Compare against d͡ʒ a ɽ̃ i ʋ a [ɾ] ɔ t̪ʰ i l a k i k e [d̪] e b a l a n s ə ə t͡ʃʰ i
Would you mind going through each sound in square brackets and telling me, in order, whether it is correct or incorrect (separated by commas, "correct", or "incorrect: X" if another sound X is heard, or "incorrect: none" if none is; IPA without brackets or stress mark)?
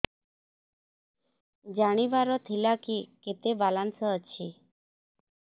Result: correct, incorrect: t̪